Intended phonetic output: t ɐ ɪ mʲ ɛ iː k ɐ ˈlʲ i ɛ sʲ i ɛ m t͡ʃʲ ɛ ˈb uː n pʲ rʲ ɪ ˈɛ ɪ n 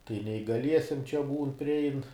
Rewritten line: t ɐ ɪ nʲ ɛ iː ɡ ɐ ˈlʲ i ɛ sʲ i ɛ m t͡ʃʲ ɛ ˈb uː n pʲ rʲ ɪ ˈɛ ɪ n